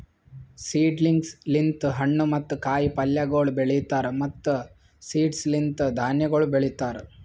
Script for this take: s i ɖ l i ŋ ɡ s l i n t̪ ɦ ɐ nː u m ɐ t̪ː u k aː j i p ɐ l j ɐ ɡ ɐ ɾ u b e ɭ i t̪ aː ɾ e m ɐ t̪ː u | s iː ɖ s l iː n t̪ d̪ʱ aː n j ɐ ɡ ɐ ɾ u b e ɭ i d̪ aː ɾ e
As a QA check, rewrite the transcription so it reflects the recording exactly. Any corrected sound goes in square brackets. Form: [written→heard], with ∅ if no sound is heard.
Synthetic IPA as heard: s [i→iː] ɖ l i ŋ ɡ s l i n t̪ ɦ ɐ [nː→ɳː] u m ɐ t̪ː u k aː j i p ɐ l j ɐ ɡ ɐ [ɾ→ɭ] u b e ɭ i t̪ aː ɾ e m ɐ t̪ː u | s iː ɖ s l [iː→i] n t̪ d̪ʱ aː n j ɐ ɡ ɐ [ɾ→ɭ] u b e ɭ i [d̪→t̪] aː ɾ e

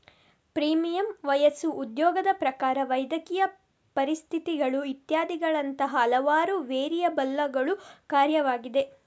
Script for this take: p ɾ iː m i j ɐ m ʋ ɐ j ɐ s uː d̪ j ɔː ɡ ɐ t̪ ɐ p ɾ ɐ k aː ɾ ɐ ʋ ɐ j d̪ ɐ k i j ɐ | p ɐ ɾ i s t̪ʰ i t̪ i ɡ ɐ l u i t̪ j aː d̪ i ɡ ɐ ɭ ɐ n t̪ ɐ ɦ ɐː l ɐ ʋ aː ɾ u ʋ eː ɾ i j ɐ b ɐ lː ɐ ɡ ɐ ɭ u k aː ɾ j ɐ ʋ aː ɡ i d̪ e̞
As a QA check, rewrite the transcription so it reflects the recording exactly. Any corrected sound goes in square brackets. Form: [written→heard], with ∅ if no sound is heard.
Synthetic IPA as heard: p ɾ iː m i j ɐ m ʋ ɐ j ɐ s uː d̪ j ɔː ɡ ɐ [t̪→d̪] ɐ p ɾ ɐ k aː ɾ ɐ ʋ ɐ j d̪ ɐ k i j ɐ | p ɐ ɾ i s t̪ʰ i t̪ i ɡ ɐ [l→ɭ] u i t̪ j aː d̪ i ɡ ɐ ɭ ɐ n t̪ ɐ ɦ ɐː l ɐ ʋ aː ɾ u ʋ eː ɾ i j ɐ b ɐ lː ɐ ɡ ɐ ɭ u k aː ɾ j ɐ ʋ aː ɡ i d̪ e̞

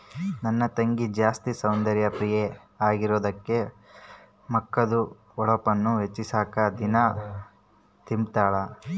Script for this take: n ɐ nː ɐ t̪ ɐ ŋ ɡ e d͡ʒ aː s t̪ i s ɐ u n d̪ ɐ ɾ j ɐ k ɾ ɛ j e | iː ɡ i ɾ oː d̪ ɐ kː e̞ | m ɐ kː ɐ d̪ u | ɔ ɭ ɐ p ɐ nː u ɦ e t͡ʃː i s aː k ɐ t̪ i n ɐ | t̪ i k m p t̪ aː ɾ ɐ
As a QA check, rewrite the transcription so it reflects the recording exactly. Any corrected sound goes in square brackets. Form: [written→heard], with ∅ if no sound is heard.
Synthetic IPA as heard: n ɐ nː ɐ t̪ ɐ ŋ ɡ [e→i] d͡ʒ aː s t̪ i s ɐ [u→w] n d̪ ɐ ɾ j ɐ [k→p] ɾ [ɛ→i] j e | [iː→aː] ɡ i ɾ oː d̪ ɐ kː e̞ | m ɐ kː ɐ d̪ u | ɔ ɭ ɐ p ɐ nː u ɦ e t͡ʃː i s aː k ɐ [t̪→d̪] i n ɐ | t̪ i [k→∅] m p t̪ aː [ɾ→ɭ] ɐ

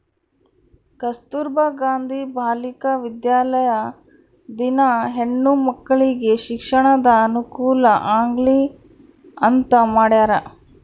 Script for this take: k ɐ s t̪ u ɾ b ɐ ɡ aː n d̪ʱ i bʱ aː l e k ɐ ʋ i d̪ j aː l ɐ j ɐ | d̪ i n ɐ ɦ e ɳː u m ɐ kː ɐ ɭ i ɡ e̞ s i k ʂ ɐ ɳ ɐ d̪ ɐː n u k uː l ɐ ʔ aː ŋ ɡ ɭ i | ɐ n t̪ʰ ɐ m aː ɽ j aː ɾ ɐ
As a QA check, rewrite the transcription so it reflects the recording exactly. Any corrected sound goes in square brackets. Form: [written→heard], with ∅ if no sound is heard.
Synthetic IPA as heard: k ɐ s t̪ u ɾ b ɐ ɡ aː n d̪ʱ i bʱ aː l [e→i] k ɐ ʋ i d̪ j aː l ɐ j ɐ | d̪ i n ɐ ɦ e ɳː u m ɐ kː ɐ ɭ i ɡ e̞ [s→ʃ] i k ʂ ɐ ɳ ɐ d̪ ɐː n u k uː l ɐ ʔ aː ŋ ɡ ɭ i | ɐ n [t̪ʰ→t̪] ɐ m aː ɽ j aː ɾ ɐ

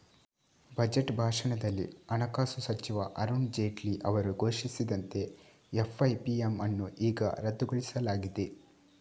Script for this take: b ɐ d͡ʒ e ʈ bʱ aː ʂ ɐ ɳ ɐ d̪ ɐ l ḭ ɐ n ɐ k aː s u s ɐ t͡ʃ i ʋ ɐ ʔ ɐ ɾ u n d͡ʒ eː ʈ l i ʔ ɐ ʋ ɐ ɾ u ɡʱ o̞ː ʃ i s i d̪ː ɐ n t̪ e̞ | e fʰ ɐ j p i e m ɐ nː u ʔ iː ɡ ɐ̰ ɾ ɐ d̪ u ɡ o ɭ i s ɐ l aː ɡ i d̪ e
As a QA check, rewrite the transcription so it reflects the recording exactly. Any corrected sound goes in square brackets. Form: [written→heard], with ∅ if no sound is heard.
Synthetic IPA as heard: b ɐ d͡ʒ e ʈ bʱ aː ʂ ɐ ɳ ɐ d̪ ɐ [l→lː] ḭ ɐ n ɐ k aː s u s ɐ t͡ʃ i ʋ ɐ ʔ ɐ ɾ u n d͡ʒ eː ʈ l i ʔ ɐ ʋ ɐ ɾ u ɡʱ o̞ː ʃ i s i [d̪ː→d̪] ɐ n t̪ e̞ | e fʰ ɐ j p i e m ɐ nː u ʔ iː ɡ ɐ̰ ɾ ɐ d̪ u ɡ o ɭ i s ɐ l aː ɡ i d̪ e

